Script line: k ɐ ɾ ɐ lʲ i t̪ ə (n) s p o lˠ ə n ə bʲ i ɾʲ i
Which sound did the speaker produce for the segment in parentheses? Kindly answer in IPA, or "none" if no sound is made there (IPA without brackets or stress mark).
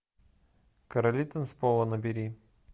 n